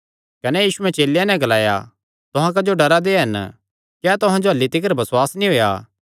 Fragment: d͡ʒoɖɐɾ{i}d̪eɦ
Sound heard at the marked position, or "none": a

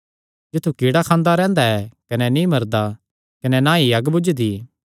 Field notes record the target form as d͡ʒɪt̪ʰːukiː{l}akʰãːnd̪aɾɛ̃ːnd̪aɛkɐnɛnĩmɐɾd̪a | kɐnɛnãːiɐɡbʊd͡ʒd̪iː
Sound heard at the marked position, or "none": ɽ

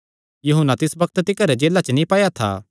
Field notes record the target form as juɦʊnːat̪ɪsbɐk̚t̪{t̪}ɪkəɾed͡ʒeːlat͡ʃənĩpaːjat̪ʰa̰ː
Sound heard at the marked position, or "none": t̪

